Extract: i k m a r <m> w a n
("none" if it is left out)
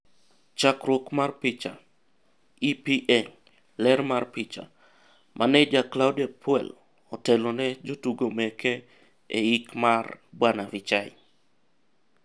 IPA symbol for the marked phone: b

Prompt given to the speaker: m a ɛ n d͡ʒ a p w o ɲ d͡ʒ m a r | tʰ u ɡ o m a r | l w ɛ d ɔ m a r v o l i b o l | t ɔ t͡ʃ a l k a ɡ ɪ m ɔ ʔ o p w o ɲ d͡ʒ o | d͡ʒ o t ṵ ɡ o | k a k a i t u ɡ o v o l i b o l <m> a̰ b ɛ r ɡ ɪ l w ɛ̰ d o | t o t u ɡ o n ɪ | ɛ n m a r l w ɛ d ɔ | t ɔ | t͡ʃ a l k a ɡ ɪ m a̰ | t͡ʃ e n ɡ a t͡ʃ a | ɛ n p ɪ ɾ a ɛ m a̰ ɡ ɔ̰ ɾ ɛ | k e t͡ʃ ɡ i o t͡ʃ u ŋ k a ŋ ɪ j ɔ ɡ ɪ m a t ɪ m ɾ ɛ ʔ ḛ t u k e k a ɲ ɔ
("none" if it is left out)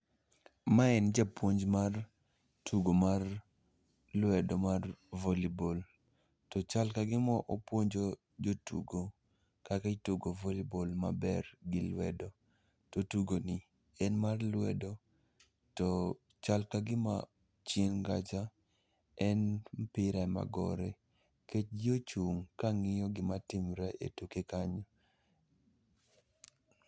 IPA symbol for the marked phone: m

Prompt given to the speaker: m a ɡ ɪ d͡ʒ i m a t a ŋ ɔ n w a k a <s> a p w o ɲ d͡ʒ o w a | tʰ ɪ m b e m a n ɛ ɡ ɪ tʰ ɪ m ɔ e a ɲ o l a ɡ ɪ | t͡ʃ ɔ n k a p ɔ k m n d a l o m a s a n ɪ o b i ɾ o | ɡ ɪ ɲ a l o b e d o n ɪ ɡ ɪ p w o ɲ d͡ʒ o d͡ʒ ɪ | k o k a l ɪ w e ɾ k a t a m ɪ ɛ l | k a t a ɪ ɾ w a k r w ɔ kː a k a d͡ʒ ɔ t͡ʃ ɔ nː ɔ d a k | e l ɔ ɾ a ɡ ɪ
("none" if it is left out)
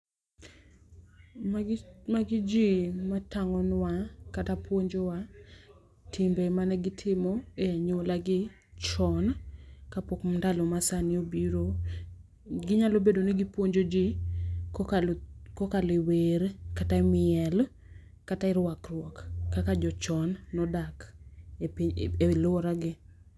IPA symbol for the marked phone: t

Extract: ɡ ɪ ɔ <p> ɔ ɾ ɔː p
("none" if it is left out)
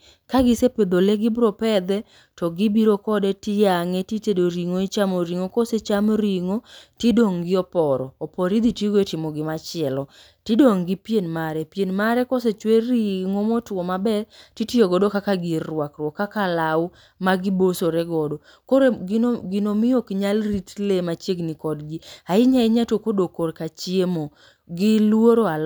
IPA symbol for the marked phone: p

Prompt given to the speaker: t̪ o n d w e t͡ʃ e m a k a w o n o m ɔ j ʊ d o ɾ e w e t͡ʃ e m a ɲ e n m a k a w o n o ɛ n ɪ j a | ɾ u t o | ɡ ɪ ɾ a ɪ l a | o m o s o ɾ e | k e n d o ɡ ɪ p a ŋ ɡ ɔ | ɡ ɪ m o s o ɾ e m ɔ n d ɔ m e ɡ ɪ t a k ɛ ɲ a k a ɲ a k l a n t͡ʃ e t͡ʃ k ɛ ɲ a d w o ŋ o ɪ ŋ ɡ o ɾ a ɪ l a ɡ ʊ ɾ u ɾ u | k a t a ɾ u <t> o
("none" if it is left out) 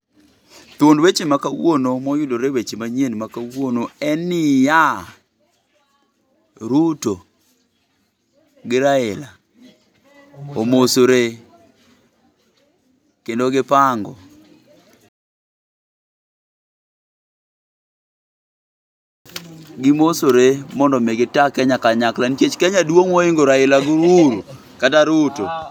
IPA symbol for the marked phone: t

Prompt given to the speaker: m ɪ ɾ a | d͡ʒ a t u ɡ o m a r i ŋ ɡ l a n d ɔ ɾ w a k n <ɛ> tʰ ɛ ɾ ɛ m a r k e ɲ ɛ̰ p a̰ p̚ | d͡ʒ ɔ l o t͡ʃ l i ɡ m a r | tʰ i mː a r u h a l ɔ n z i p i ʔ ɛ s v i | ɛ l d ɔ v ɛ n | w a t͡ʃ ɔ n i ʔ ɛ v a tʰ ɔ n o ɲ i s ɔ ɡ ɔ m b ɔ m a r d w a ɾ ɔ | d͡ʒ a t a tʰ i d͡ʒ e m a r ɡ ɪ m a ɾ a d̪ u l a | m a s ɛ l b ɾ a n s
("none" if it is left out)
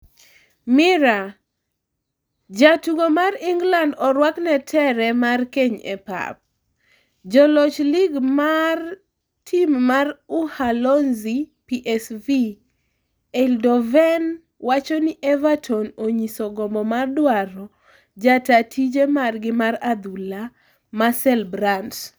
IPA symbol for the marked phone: ɛ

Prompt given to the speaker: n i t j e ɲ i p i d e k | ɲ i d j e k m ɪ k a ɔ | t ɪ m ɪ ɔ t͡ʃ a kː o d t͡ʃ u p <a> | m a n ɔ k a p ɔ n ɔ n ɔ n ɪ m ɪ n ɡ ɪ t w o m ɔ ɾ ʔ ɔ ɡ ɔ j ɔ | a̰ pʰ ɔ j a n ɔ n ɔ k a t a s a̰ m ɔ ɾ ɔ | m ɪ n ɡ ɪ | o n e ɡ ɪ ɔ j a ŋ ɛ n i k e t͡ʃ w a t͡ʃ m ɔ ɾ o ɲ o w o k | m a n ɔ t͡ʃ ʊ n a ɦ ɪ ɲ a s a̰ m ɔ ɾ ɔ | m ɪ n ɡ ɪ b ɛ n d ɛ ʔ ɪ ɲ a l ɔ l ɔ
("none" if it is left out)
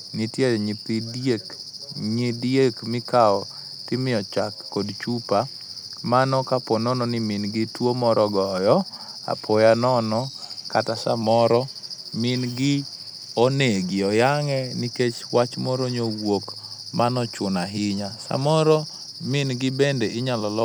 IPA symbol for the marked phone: a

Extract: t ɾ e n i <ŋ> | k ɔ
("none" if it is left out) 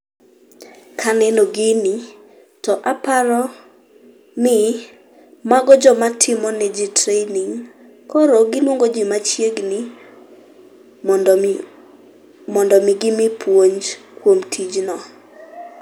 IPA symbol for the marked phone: ŋ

